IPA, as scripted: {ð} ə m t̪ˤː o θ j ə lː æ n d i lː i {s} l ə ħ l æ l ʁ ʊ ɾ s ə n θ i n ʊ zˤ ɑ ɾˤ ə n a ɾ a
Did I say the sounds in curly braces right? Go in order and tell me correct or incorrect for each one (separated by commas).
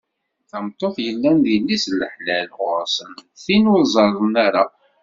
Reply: incorrect, correct